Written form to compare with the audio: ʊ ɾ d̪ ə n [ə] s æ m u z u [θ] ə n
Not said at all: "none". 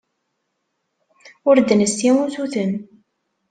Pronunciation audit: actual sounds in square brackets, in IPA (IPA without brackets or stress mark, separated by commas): ə, θ